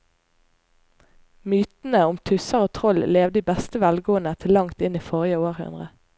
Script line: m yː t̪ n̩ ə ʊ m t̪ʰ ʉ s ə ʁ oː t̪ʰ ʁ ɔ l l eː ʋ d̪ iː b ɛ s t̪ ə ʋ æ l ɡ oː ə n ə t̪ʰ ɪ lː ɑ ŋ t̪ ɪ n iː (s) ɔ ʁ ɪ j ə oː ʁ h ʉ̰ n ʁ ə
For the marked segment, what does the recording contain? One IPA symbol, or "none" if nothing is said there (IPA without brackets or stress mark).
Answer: f